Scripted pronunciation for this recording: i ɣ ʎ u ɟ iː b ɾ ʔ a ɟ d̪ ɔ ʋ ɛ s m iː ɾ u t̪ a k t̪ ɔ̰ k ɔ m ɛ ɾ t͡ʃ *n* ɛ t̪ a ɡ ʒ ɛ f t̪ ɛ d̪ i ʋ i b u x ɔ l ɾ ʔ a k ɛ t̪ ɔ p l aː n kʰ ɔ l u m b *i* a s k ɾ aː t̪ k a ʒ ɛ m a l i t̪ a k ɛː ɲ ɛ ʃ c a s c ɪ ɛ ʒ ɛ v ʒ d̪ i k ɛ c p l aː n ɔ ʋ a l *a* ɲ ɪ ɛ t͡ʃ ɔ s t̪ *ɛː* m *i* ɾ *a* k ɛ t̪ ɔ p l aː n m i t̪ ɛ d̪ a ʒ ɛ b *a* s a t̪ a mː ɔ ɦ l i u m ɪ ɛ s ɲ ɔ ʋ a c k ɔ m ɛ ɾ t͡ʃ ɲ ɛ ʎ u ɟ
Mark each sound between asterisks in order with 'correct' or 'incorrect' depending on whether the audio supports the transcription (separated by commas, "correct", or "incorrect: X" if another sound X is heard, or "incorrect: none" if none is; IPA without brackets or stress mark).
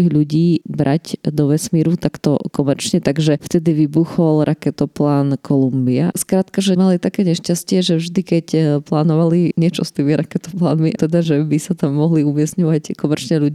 incorrect: ɲ, correct, incorrect: i, incorrect: iː, correct, correct, incorrect: i